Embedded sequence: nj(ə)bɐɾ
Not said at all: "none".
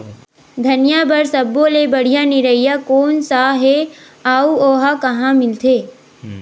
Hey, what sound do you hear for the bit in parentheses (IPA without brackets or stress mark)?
a